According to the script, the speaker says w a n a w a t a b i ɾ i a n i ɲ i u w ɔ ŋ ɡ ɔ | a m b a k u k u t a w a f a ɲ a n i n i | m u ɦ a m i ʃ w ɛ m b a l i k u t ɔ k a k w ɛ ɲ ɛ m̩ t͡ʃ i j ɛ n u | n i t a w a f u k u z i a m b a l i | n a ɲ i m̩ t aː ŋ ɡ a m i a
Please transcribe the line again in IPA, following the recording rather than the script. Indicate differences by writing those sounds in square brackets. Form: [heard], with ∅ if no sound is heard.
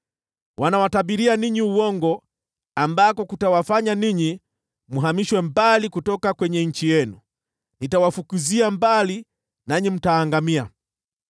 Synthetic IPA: w a n a w a t a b i ɾ i a n i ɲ i u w ɔ ŋ ɡ ɔ | a m b a k [ɔ] k u t a w a f a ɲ a n i [ɲ] i | m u ɦ a m i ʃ w ɛ m b a l i k u t ɔ k a k w ɛ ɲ ɛ [ɲ̩] t͡ʃ i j ɛ n u | n i t a w a f u k u z i a m b a l i | n a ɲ i m̩ t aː ŋ ɡ a m i a